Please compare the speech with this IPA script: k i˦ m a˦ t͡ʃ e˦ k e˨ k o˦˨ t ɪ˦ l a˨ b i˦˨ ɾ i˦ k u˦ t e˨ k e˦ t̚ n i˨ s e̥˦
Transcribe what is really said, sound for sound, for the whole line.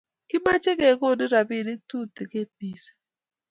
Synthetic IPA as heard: k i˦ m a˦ t͡ʃ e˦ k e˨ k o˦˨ d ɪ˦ ɾ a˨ b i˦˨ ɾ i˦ t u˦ t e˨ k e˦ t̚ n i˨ s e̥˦